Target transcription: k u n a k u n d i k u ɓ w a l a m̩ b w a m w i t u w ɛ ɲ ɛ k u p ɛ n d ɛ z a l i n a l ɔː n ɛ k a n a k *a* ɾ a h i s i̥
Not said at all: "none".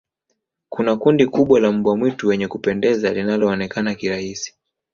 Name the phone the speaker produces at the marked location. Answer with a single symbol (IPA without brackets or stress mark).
i